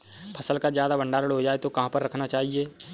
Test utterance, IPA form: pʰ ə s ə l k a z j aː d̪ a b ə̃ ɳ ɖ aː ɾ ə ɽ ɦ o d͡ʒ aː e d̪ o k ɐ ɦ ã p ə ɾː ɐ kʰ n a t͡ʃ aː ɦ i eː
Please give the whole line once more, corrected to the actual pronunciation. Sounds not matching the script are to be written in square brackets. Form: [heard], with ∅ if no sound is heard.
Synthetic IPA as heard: pʰ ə s ə l k a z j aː d̪ a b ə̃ ɳ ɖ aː ɾ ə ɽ ɦ o d͡ʒ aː e [t̪] o k ɐ ɦ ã p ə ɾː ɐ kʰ n a t͡ʃ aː ɦ i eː